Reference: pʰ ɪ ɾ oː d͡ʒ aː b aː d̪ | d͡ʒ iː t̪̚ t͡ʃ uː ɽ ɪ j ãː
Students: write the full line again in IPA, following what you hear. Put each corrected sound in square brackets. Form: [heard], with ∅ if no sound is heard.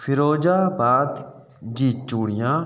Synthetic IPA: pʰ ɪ ɾ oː d͡ʒ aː b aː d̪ | d͡ʒ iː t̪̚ t͡ʃ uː ɽ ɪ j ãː